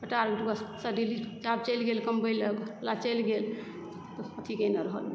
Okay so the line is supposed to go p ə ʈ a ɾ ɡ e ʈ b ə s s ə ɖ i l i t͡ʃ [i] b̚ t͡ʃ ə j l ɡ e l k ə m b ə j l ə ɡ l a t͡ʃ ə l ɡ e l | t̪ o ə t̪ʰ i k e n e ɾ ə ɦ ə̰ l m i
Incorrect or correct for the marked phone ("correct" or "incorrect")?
incorrect